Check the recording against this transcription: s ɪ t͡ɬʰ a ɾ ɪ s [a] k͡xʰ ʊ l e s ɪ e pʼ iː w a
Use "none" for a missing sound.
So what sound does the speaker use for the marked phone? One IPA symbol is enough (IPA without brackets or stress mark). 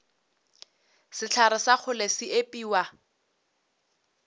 a